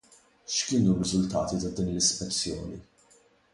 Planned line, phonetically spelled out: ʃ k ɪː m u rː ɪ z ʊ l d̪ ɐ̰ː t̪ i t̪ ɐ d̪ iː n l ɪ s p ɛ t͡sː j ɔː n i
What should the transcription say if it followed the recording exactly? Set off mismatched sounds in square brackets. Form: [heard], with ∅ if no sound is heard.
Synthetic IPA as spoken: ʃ k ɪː [n] u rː ɪ z ʊ l [t̪] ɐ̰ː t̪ i t̪ ɐ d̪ iː n l ɪ s p ɛ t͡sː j ɔː n i

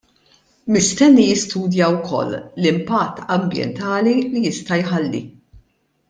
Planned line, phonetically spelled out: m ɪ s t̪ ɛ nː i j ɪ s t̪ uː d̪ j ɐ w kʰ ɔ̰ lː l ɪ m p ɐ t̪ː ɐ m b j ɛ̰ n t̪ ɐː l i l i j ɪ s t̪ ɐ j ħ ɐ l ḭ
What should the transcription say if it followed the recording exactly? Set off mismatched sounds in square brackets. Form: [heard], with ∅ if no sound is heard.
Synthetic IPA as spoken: m ɪ s t̪ ɛ nː i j ɪ s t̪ uː d̪ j ɐ w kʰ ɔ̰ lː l ɪ m p ɐ t̪ː ɐ m b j ɛ̰ n t̪ ɐː l i l i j ɪ s t̪ ɐ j ħ ɐ [lː] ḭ

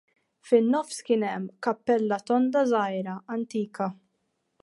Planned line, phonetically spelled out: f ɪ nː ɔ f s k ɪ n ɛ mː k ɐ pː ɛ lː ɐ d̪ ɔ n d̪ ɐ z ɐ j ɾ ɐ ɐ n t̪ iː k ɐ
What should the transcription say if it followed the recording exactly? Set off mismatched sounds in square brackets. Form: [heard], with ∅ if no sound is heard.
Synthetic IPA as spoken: f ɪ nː ɔ f s k ɪ n ɛ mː k ɐ pː ɛ lː ɐ [t̪] ɔ n d̪ ɐ z ɐ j ɾ ɐ ɐ n t̪ iː k ɐ

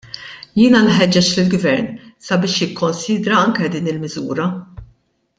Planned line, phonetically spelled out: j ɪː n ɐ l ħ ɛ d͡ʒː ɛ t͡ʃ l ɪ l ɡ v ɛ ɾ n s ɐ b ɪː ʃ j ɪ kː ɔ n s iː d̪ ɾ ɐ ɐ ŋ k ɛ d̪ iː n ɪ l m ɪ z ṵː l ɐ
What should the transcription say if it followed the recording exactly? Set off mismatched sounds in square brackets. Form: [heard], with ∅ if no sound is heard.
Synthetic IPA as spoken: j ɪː n ɐ l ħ ɛ d͡ʒː ɛ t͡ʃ l ɪ l ɡ v ɛ ɾ n s ɐ b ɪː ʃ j ɪ kː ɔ n s iː d̪ ɾ ɐ ɐ ŋ k ɛ d̪ iː n ɪ l m ɪ z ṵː [ɾ] ɐ

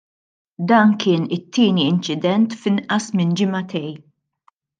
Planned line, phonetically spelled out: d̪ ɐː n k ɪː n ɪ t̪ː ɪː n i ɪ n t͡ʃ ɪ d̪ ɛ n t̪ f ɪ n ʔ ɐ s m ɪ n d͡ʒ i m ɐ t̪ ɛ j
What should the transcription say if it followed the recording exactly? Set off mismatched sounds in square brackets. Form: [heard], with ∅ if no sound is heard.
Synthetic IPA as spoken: d̪ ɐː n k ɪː n ɪ t̪ː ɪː n i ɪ n t͡ʃ ɪ d̪ ɛ n t̪ f ɪ n ʔ ɐ s m ɪ n d͡ʒ [ɪ] m ɐ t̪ ɛ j

